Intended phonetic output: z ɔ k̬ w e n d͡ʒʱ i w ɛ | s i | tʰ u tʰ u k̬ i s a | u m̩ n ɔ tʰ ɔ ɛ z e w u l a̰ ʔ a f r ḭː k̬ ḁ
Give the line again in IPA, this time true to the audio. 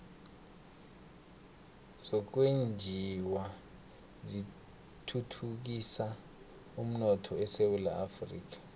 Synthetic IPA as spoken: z ɔ k̬ w e n d͡ʒʱ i w a | z i | tʰ u tʰ u k̬ i s a | u m̩ n ɔ tʰ ɔ ɛ s e w u l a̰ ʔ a f r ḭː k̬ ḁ